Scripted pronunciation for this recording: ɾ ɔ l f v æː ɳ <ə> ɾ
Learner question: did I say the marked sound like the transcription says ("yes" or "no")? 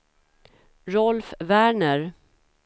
yes